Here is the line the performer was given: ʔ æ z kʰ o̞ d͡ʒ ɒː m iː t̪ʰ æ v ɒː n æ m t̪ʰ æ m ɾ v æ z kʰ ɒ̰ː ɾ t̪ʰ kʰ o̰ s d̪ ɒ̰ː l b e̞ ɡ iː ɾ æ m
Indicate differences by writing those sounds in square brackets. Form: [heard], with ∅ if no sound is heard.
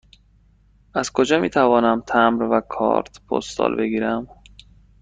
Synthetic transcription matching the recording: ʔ æ z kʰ o̞ d͡ʒ ɒː m iː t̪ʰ æ v ɒː n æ m t̪ʰ æ m ɾ v æ [∅] kʰ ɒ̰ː ɾ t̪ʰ [pʰ] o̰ s [t̪] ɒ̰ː l b e̞ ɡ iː ɾ æ m